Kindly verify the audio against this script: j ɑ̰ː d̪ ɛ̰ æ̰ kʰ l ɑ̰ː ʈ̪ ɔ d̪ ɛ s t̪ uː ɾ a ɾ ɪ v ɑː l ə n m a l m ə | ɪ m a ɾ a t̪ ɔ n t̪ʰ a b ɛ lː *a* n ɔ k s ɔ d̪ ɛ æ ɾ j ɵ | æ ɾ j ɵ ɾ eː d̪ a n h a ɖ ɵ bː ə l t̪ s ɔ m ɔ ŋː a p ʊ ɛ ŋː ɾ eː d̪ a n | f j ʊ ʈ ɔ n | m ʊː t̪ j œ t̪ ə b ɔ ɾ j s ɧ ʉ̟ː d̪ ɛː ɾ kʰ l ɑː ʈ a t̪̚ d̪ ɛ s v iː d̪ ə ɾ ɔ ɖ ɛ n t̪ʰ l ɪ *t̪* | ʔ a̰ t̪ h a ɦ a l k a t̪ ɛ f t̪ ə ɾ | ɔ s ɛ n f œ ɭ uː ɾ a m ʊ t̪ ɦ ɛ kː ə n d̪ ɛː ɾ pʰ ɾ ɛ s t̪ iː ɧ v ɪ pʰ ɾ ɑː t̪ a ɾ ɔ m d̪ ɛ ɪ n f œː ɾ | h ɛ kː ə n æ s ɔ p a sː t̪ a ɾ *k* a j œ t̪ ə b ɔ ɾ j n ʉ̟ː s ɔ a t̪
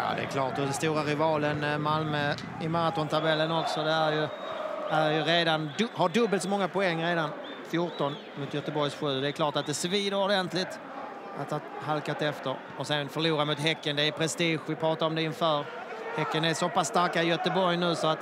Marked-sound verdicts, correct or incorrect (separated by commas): incorrect, correct, correct